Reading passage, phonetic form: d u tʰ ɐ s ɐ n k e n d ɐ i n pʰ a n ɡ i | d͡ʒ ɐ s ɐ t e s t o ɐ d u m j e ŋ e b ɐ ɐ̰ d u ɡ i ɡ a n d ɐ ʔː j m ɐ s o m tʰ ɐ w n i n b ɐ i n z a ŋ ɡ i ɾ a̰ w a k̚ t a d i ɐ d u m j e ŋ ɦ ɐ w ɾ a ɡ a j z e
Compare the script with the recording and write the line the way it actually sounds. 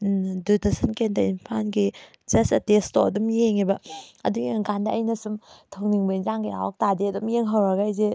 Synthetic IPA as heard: d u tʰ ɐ s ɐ n k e n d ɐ i n pʰ a n ɡ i | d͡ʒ ɐ s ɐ t e s t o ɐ d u m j e ŋ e b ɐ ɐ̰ d u ɡ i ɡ a n d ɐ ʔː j n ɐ s u m tʰ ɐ w n i ŋ b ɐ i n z a ŋ ɡ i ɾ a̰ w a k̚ t a d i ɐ d u m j e ŋ ɦ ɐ w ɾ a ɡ a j z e